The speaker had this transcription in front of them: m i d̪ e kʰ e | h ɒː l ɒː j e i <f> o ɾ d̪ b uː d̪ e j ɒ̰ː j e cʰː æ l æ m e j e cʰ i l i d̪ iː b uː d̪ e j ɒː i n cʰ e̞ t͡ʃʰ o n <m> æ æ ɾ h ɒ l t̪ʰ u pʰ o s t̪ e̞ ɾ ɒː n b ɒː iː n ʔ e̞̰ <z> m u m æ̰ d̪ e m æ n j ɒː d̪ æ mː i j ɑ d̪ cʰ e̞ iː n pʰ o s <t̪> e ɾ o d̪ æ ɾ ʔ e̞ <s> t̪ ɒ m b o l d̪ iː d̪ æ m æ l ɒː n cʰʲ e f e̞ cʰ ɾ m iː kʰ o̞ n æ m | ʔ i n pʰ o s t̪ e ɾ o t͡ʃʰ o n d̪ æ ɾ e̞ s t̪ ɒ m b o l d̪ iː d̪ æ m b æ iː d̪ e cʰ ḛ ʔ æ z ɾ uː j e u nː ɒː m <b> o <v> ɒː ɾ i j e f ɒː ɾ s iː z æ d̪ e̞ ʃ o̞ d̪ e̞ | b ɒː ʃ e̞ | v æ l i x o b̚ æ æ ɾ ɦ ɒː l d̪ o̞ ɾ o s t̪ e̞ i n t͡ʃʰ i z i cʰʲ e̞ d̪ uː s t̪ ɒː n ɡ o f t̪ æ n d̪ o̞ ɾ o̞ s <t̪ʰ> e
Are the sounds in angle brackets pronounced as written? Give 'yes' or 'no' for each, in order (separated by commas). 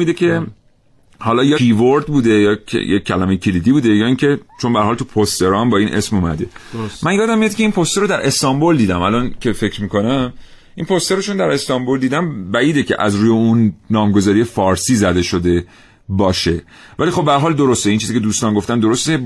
no, no, no, yes, yes, no, no, no